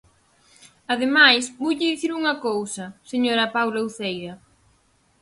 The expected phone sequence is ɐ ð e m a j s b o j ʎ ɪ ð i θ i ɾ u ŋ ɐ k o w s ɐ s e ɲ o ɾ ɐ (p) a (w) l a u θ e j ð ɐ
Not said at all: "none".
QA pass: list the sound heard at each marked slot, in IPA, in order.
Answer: p, w

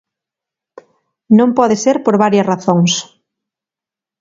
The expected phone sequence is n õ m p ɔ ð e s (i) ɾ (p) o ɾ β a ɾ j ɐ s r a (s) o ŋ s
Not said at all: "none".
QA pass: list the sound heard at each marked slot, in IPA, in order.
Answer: e, p, θ

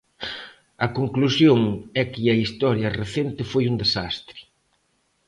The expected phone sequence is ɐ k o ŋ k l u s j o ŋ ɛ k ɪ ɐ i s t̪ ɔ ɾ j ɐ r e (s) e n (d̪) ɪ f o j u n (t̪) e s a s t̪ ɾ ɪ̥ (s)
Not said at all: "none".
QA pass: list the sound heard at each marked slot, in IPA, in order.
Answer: θ, t̪, d̪, none

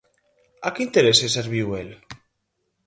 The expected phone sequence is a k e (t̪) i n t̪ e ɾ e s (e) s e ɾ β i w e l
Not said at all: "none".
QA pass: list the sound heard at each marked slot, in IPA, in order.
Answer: none, e

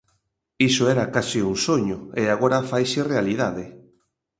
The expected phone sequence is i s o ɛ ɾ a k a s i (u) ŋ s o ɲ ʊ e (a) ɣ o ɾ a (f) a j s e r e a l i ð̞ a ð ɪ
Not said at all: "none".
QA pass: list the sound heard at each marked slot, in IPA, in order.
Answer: u, a, f

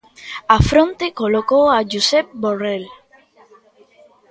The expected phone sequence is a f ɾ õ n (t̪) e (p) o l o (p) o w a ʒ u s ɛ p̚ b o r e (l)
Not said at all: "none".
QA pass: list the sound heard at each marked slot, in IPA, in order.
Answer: t̪, k, k, l

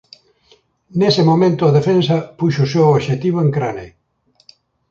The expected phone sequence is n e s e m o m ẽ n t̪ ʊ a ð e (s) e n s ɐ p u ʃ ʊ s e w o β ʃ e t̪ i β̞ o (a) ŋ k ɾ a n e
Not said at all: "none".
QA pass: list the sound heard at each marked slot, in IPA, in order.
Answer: f, e

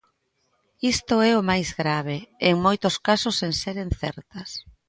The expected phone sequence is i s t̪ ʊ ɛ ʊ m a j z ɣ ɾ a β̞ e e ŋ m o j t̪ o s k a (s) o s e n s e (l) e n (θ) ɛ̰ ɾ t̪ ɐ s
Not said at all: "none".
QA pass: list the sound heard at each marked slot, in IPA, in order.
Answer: s, ɾ, θ

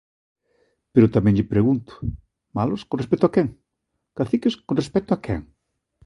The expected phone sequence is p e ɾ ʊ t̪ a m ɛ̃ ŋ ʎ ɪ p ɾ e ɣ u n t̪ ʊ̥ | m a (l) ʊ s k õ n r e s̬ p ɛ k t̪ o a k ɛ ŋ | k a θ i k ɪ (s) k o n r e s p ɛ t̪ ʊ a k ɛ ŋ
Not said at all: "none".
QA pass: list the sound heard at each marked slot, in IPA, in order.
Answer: l, s

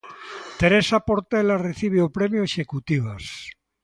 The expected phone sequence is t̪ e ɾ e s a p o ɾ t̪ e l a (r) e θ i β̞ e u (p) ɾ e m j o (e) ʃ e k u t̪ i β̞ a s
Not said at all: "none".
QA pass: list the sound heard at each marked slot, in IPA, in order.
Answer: r, p, e

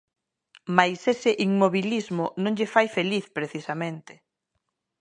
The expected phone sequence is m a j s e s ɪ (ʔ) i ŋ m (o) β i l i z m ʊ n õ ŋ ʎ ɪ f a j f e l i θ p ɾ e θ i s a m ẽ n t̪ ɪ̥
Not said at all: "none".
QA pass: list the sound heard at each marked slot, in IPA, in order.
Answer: ʔ, o

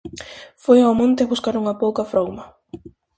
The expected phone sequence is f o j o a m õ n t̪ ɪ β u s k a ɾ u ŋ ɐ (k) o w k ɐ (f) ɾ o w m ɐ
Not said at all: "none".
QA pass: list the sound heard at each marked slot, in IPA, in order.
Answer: p, f

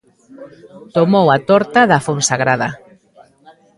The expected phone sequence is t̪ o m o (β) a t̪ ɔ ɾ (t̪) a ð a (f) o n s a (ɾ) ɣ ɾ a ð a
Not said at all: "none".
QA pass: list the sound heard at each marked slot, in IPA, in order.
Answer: w, t̪, f, none

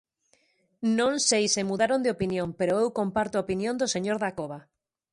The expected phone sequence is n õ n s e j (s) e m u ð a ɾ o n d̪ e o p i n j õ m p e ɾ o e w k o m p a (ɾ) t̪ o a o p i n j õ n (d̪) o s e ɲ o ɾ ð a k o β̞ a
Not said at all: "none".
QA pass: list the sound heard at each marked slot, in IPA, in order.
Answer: s, ɾ, d̪

